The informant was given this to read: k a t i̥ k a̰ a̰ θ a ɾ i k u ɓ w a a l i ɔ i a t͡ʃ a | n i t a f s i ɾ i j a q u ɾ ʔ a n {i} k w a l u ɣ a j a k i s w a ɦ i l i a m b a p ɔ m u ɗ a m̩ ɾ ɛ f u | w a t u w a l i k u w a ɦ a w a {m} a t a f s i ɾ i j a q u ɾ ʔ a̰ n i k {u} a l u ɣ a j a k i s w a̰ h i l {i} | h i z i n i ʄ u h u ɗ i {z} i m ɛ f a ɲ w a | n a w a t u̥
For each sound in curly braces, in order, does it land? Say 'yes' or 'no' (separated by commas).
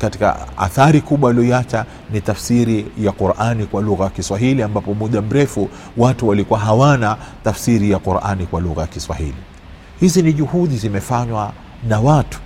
yes, no, no, yes, yes